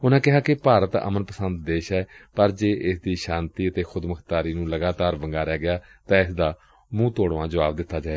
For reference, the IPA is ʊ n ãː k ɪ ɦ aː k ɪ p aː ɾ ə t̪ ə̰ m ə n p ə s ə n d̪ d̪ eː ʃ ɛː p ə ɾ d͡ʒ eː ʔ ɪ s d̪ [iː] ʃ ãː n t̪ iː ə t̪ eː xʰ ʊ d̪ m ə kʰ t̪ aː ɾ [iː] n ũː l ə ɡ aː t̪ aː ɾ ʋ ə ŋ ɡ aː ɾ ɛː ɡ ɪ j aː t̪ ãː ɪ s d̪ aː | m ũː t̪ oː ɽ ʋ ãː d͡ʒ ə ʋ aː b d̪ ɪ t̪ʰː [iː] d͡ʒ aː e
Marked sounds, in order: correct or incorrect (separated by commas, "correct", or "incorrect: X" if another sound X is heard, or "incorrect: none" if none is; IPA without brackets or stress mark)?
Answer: correct, correct, incorrect: aː